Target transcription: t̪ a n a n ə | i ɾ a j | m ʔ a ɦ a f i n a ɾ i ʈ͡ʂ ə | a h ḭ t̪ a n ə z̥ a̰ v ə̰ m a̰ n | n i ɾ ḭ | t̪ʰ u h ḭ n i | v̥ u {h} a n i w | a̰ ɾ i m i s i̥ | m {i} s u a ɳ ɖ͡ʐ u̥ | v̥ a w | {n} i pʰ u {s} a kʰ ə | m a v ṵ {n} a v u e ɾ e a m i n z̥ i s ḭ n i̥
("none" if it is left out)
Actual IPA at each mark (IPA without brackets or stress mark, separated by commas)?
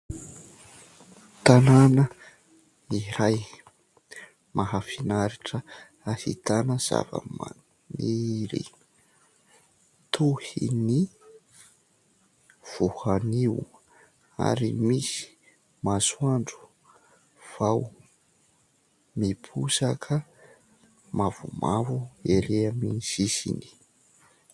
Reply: h, a, m, s, m